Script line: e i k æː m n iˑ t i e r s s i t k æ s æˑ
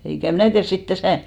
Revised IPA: e i k æ m n æˑ t i æ r s s i t t æ s æˑ